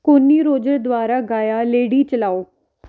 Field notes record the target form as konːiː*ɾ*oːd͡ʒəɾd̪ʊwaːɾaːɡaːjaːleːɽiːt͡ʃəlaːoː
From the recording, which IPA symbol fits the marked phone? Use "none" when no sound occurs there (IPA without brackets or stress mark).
ɾ